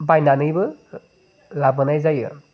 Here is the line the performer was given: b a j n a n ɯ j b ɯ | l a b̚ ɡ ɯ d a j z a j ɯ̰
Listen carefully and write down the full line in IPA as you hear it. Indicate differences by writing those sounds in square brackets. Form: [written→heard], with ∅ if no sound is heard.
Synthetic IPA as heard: b a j n a n ɯ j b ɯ | l a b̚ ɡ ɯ [d→n] a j z a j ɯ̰